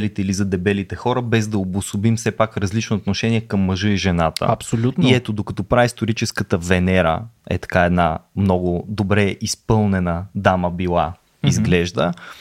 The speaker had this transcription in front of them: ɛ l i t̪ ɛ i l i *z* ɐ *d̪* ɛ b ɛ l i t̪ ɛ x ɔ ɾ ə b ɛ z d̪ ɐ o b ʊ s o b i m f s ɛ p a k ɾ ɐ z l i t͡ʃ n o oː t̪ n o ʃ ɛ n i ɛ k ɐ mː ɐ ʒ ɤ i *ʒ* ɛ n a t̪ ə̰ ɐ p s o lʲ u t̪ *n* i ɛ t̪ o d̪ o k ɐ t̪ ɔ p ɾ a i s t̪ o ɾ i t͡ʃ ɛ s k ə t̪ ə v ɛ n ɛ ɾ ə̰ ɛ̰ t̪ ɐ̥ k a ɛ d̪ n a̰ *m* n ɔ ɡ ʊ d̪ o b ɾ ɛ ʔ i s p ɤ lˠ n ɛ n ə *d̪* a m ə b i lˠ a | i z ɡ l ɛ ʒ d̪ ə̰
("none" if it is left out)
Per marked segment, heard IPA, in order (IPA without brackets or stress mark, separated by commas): z, d̪, ʒ, n, m, d̪